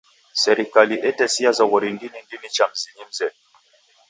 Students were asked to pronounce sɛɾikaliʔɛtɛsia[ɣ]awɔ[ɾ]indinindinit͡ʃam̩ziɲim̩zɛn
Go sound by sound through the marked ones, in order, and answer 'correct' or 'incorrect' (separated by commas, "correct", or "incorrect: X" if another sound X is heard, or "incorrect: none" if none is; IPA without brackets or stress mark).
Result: incorrect: z, correct